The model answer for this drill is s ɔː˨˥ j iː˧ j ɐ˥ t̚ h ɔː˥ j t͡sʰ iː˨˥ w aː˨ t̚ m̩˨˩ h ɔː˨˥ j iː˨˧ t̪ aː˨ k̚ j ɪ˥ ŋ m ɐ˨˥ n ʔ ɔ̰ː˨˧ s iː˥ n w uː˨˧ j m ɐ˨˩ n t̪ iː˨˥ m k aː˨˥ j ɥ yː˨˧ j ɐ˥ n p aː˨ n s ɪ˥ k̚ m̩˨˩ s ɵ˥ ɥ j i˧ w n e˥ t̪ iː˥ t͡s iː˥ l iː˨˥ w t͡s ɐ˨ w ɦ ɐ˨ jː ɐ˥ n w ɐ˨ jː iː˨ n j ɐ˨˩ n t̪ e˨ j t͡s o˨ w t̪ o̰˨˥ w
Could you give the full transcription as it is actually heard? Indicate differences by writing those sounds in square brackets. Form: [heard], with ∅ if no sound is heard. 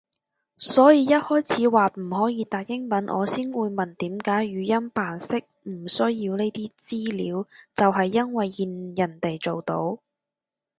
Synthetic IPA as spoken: s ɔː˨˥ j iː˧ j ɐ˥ t̚ h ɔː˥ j t͡sʰ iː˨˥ w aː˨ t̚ m̩˨˩ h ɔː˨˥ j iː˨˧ t̪ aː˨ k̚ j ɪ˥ ŋ m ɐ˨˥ n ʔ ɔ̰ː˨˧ s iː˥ n w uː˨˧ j m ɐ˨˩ n t̪ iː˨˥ m k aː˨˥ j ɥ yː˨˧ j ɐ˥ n p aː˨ n s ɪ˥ k̚ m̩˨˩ s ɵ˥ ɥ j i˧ w n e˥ t̪ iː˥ t͡s iː˥ l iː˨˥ w t͡s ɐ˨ w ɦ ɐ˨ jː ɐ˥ n w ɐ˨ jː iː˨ n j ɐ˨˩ n t̪ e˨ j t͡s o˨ w t̪ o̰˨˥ w

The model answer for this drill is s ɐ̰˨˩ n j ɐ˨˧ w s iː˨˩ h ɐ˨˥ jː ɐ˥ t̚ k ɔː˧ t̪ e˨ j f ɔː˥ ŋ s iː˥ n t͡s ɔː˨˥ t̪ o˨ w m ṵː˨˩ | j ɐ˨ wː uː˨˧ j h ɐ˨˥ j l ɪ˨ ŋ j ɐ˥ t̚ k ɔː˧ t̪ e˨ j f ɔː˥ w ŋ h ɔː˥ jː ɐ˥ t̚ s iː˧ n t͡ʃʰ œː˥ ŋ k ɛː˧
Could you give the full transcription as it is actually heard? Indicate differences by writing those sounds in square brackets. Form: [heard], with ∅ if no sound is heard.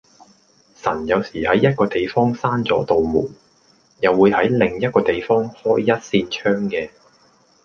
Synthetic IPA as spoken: s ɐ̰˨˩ n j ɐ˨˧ w s iː˨˩ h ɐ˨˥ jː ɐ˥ t̚ k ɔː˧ t̪ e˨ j f ɔː˥ ŋ s [aː˥] n t͡s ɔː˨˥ t̪ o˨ w m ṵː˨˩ | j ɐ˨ wː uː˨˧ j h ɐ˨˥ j l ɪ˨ ŋ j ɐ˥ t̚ k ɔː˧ t̪ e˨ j f ɔː˥ [∅] ŋ h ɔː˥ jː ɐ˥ t̚ s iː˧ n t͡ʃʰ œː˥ ŋ k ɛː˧

